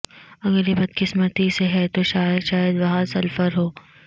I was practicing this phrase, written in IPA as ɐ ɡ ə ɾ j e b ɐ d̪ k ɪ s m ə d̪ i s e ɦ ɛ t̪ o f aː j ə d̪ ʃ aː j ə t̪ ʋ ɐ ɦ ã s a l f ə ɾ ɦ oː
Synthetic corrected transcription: ɐ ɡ ə ɾ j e b ɐ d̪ k ɪ s m ə t̪ i s e ɦ ɛ t̪ o ʃ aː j ə d̪ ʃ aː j ə d̪ ʋ ɐ ɦ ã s ɐ l f ə ɾ ɦ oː